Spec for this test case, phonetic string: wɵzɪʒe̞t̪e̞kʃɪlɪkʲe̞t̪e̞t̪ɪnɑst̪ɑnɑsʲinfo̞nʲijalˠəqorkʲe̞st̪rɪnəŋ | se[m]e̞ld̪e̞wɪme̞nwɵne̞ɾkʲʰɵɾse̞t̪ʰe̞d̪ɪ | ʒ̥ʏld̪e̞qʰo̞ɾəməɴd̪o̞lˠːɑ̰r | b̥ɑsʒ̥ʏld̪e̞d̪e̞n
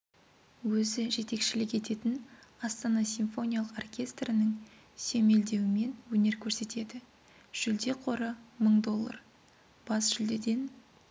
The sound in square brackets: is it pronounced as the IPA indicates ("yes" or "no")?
yes